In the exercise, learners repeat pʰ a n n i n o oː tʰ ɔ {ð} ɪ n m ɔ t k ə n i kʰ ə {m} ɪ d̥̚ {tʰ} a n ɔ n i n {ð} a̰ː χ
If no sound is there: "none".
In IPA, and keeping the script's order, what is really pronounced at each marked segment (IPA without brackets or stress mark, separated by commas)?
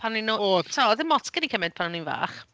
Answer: ð, m, pʰ, v